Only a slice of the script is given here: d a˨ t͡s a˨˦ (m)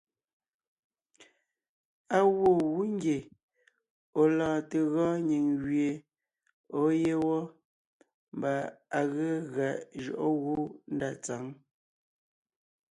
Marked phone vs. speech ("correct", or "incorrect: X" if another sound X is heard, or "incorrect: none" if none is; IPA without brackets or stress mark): incorrect: ŋ